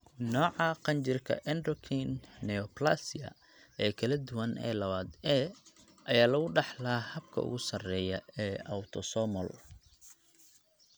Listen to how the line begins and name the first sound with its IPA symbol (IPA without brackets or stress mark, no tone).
n